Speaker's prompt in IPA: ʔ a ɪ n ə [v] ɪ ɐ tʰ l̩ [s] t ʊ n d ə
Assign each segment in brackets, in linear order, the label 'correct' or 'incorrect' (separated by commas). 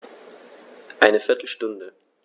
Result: incorrect, incorrect